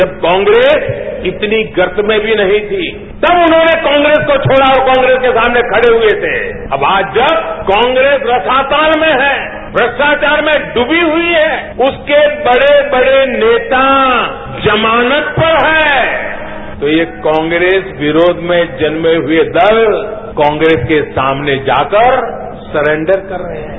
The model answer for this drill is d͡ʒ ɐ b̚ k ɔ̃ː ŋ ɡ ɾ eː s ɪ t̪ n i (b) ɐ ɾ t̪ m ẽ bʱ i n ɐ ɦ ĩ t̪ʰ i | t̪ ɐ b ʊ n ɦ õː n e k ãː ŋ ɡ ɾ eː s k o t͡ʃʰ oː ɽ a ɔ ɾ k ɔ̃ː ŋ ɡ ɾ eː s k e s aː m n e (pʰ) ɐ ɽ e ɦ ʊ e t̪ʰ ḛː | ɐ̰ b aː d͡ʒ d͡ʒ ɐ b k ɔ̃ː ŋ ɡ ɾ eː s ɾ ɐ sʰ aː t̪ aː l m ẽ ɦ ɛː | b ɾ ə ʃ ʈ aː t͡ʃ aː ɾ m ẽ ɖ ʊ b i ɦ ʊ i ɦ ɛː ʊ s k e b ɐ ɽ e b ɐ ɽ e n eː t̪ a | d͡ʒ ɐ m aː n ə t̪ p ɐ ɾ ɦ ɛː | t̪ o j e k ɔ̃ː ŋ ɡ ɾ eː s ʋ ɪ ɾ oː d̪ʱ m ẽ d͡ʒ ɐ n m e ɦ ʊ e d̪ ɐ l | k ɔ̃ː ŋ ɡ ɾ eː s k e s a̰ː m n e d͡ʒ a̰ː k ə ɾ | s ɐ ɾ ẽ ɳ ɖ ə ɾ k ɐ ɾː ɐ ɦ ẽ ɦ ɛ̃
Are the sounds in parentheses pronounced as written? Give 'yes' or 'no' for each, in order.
no, no

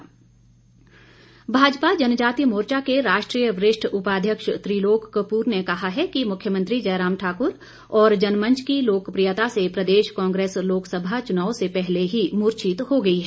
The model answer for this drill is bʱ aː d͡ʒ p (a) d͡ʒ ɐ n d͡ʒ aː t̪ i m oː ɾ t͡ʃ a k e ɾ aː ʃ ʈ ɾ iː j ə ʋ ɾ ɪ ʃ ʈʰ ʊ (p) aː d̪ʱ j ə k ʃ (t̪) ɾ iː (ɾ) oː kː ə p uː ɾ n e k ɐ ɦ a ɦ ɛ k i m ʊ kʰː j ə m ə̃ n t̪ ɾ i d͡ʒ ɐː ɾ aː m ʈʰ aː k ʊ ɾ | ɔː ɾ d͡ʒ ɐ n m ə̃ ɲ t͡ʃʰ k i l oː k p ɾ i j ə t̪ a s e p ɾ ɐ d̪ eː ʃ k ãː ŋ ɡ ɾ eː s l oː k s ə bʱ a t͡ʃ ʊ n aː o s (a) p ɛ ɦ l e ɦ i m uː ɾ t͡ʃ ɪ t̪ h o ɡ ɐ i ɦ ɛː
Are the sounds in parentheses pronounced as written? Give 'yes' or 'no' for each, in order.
yes, yes, yes, no, no

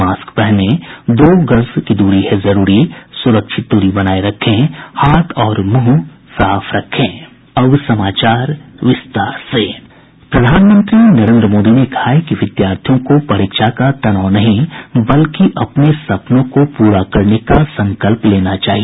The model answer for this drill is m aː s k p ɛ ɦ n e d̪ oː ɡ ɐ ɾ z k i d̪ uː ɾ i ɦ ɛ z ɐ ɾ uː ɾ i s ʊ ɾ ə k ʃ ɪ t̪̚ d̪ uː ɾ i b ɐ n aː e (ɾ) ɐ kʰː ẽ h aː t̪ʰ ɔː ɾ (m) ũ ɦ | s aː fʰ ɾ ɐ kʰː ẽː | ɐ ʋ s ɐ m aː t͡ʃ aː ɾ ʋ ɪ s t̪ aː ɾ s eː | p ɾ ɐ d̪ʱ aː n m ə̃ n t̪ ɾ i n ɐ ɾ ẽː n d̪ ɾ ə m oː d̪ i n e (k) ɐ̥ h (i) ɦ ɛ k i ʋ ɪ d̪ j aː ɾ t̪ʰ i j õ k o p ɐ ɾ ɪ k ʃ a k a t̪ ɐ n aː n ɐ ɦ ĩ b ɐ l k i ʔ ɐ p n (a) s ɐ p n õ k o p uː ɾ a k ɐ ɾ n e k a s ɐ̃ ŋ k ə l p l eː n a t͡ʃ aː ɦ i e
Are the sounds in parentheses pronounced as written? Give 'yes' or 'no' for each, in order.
yes, yes, yes, no, no

